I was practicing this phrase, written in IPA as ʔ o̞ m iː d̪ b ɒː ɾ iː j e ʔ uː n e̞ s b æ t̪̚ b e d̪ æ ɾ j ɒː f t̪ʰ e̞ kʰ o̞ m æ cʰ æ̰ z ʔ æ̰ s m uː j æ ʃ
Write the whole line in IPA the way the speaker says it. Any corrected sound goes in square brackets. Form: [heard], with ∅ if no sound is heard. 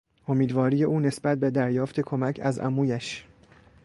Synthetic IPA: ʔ o̞ m iː d̪ [v] ɒː ɾ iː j e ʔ uː n e̞ s b æ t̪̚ b e d̪ æ ɾ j ɒː f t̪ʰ e̞ kʰ o̞ m æ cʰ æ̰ z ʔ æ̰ [∅] m uː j æ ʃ